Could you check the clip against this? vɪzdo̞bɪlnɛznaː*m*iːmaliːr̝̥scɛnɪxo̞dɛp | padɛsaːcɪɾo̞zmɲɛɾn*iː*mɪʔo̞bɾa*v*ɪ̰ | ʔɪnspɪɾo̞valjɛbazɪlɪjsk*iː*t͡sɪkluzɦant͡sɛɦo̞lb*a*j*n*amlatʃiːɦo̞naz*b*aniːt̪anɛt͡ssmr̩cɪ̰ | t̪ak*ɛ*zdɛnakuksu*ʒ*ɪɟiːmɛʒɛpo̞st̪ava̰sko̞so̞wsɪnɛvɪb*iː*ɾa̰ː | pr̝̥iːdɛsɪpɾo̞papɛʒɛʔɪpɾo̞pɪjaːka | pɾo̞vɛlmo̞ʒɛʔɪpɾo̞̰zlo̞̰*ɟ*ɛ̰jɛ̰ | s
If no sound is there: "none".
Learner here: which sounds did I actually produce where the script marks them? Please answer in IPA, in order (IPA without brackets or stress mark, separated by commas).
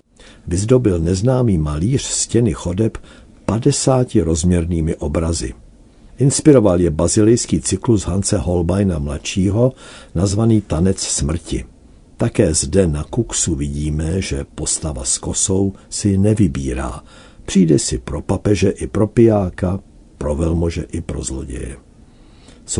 m, iː, z, iː, a, n, v, ɛː, v, iː, ɟ